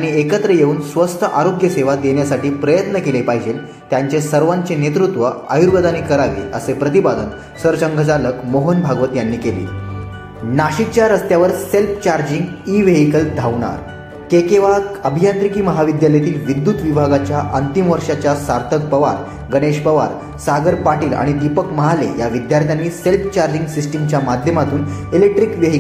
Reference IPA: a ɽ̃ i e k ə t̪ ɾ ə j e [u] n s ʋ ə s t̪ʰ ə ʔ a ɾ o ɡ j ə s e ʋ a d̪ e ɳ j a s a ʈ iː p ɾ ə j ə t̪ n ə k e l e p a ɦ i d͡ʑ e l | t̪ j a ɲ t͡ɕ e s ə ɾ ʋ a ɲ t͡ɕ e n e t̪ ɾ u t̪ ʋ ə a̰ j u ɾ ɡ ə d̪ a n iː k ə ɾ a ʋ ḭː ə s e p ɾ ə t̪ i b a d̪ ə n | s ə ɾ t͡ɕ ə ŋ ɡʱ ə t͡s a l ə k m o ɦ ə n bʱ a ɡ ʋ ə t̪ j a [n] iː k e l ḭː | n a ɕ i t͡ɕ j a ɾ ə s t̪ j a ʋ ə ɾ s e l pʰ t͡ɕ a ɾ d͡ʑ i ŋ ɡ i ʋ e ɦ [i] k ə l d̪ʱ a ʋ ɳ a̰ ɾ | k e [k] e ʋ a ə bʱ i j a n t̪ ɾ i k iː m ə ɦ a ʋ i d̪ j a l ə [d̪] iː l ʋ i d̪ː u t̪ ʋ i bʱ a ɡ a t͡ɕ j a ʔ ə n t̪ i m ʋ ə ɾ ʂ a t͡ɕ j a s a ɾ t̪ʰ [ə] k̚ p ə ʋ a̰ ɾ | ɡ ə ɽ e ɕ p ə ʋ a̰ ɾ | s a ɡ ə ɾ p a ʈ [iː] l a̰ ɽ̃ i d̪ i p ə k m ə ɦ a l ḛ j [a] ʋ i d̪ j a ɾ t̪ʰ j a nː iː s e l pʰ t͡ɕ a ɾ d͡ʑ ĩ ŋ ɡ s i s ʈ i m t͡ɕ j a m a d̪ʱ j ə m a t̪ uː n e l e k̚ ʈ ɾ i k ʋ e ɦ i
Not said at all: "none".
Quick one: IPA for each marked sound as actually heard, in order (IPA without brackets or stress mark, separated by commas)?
uː, nː, i, k, t̪, ə, iː, a